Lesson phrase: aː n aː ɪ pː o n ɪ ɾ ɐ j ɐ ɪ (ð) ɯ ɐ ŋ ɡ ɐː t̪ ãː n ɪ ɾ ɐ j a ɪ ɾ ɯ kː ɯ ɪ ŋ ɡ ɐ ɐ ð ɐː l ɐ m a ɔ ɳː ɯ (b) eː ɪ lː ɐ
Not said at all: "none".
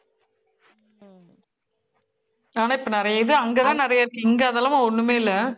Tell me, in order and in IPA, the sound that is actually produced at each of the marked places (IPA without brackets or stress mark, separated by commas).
ð, m